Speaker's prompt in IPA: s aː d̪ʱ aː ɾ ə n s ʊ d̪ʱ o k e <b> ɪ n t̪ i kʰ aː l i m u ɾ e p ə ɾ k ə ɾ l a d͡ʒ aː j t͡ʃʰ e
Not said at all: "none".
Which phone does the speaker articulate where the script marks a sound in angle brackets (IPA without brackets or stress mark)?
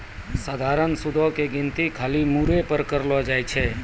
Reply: ɡ